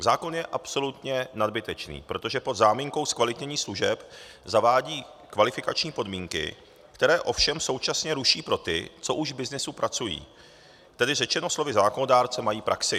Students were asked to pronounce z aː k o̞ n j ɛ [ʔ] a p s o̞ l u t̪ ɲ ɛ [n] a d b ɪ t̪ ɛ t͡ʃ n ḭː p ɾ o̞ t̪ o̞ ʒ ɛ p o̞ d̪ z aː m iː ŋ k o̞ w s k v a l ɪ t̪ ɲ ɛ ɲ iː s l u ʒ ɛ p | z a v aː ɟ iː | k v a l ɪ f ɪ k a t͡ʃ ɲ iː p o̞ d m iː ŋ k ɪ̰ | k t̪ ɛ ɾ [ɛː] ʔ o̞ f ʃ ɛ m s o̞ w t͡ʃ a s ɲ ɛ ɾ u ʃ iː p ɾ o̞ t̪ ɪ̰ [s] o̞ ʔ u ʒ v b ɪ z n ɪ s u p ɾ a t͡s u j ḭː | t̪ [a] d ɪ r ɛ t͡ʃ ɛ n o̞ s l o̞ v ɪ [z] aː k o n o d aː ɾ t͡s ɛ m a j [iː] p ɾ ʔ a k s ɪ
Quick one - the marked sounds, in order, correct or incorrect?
correct, correct, correct, incorrect, incorrect, correct, correct

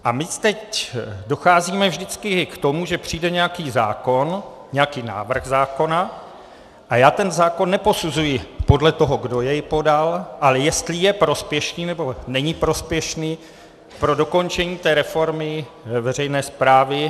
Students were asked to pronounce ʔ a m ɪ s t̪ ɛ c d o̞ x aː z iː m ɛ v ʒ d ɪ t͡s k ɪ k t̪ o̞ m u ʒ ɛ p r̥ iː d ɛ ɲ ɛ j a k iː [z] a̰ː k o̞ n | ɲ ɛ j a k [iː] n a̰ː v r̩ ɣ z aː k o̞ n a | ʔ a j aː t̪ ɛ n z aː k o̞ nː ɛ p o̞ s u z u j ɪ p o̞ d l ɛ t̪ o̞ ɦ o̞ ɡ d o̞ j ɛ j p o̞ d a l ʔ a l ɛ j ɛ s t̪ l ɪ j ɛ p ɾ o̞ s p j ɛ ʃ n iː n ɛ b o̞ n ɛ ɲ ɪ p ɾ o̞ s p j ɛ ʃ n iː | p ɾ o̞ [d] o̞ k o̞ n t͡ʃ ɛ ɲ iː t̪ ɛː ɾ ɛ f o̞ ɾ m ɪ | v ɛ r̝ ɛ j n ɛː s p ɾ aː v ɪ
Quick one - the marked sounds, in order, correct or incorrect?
correct, correct, correct

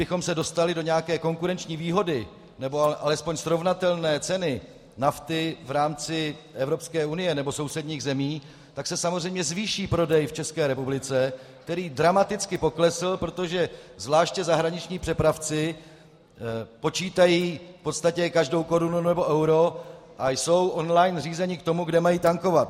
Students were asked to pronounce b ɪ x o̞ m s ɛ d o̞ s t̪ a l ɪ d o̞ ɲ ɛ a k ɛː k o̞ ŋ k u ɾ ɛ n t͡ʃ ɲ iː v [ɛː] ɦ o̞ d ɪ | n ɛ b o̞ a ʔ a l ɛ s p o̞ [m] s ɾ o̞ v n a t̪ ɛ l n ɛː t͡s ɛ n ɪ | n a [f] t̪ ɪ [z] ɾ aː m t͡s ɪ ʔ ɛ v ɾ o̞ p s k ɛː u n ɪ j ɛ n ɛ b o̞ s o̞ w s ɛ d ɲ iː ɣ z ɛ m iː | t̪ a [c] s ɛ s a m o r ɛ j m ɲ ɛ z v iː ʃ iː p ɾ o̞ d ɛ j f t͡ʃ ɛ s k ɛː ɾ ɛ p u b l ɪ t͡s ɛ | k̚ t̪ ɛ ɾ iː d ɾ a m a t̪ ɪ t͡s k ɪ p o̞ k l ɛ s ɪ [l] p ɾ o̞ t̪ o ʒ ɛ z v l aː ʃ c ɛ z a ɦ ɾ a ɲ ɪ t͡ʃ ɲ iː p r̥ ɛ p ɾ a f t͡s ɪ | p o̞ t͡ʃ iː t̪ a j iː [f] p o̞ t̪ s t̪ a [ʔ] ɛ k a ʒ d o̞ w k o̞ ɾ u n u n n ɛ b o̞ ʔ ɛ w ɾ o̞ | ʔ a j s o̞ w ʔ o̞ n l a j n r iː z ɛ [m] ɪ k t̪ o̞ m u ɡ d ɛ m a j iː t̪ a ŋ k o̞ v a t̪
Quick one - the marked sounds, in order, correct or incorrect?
incorrect, incorrect, correct, incorrect, incorrect, correct, correct, incorrect, incorrect

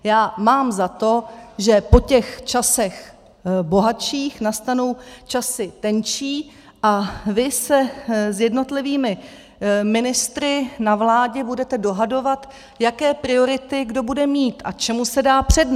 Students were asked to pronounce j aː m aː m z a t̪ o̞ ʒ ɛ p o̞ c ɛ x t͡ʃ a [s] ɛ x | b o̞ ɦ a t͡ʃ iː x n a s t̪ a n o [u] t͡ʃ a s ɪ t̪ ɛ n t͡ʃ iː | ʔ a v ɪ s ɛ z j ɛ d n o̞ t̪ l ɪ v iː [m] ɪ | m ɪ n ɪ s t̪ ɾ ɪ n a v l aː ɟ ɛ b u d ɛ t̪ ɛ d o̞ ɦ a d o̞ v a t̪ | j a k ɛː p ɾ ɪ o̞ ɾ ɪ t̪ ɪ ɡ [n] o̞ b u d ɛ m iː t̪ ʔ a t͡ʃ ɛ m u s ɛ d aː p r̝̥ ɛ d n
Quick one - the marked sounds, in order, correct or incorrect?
correct, incorrect, correct, incorrect

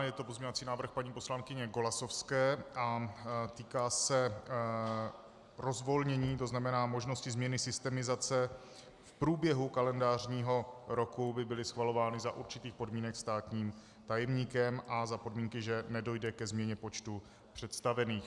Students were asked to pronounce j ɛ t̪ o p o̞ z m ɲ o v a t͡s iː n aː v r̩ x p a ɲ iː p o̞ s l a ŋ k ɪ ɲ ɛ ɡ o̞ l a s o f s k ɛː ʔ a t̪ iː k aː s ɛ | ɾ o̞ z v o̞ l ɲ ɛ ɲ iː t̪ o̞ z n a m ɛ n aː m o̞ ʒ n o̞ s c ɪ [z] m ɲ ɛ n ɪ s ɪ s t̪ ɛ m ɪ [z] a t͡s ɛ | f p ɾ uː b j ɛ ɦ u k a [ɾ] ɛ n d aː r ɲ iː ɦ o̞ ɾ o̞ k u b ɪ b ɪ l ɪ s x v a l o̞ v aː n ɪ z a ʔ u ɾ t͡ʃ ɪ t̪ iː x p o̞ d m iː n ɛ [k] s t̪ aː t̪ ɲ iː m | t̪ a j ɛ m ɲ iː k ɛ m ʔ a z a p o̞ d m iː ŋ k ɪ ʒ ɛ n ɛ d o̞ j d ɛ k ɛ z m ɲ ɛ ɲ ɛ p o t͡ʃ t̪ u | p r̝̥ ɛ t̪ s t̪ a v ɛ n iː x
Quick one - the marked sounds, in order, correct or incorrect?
correct, correct, incorrect, correct

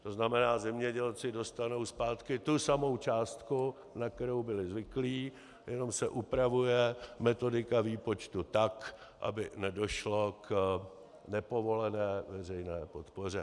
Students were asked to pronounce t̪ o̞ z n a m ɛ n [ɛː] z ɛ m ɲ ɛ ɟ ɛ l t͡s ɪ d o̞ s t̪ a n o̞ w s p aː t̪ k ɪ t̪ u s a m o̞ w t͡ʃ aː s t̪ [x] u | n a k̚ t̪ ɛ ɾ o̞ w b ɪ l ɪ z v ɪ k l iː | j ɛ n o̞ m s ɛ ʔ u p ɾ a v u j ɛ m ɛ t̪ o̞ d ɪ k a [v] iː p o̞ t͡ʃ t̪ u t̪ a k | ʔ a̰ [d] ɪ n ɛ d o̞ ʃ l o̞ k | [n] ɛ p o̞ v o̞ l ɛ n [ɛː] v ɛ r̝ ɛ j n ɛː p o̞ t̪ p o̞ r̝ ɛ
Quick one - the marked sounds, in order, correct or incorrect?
incorrect, incorrect, correct, incorrect, correct, correct

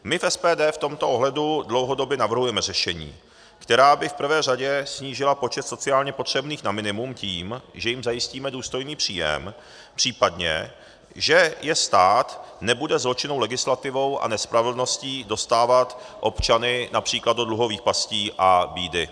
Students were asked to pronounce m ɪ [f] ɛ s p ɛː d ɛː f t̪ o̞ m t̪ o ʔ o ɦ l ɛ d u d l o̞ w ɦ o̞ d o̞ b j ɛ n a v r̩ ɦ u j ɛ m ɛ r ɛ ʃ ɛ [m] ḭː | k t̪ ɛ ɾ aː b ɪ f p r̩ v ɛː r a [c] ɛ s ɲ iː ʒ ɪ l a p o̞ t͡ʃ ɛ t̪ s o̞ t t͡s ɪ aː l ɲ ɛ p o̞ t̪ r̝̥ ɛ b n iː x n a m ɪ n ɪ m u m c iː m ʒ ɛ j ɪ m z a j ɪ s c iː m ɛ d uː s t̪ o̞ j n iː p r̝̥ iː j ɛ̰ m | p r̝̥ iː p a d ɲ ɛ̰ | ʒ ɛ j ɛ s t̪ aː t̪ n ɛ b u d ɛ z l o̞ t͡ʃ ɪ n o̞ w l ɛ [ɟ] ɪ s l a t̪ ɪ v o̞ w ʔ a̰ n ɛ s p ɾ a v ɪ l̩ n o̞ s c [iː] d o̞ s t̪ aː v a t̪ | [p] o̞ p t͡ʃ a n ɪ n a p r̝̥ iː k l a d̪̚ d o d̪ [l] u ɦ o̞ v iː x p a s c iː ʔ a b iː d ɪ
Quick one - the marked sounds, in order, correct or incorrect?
correct, incorrect, incorrect, incorrect, correct, incorrect, correct

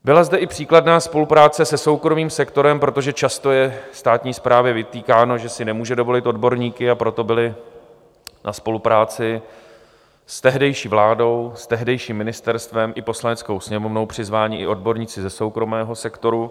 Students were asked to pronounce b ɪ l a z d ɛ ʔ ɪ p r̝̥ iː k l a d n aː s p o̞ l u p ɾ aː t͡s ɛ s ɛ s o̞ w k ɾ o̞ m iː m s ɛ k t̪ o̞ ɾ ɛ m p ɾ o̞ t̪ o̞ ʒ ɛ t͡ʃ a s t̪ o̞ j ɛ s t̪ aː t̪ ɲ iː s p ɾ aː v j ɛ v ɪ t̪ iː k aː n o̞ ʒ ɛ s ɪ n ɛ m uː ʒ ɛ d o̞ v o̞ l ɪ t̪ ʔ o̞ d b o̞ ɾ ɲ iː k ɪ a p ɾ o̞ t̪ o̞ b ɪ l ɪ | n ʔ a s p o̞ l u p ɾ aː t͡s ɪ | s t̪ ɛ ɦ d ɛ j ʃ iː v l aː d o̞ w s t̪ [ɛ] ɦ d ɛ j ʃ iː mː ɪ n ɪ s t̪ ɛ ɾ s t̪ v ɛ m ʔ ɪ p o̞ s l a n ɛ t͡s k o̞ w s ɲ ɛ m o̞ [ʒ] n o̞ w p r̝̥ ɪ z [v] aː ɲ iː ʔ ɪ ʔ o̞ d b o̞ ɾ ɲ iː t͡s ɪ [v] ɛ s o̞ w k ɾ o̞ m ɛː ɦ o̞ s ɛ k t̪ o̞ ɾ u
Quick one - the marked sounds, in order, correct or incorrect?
correct, incorrect, correct, incorrect

